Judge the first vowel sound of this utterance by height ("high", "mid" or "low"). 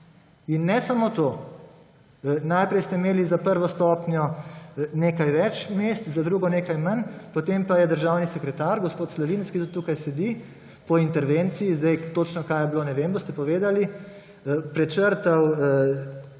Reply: high